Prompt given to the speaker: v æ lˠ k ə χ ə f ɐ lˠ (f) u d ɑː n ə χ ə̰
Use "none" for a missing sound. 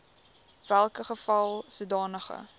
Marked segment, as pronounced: s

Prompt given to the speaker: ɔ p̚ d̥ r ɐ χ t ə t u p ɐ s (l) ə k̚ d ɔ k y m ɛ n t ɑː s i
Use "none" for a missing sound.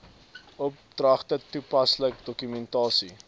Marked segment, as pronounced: l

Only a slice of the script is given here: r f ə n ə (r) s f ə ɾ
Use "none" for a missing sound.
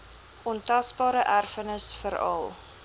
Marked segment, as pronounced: none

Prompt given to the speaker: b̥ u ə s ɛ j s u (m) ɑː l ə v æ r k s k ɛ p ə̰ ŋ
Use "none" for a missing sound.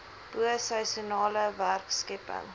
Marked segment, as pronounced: n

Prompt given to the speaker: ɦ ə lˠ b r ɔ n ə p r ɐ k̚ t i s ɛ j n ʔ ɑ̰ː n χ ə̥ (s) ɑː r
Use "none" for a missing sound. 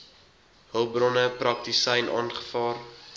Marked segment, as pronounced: f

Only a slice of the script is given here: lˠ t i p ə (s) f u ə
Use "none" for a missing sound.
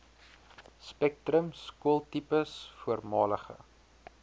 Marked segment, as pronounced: s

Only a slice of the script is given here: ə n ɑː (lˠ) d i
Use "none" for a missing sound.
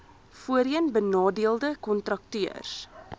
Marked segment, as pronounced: none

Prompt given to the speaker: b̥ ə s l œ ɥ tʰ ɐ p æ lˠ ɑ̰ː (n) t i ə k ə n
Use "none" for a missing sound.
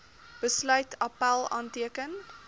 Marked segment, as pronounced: n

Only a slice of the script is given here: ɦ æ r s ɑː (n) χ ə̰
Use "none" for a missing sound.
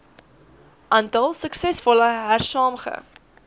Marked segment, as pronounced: m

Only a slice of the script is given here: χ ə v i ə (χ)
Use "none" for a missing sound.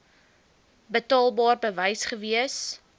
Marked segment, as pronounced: s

